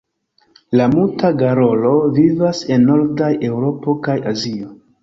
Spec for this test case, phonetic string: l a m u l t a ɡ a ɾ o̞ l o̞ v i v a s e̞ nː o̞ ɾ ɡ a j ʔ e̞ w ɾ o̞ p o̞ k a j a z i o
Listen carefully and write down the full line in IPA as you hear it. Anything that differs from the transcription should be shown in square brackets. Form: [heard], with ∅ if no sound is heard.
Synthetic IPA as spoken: l a m u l t a ɡ a ɾ o̞ l o̞ v i v a s e̞ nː o̞ ɾ [d] a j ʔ e̞ w ɾ o̞ p o̞ k a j a z i o